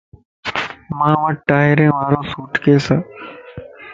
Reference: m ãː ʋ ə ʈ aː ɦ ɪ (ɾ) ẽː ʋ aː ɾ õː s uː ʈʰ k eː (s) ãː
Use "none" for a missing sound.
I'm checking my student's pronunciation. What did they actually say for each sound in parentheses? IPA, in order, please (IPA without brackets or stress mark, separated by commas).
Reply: ɾ, s